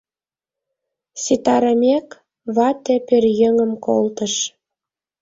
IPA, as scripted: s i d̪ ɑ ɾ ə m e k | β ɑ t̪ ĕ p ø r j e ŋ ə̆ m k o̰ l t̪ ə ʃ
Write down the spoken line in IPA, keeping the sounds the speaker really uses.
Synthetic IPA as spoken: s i t̪ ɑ ɾ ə m e k | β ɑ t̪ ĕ p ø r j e ŋ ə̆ m k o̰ l t̪ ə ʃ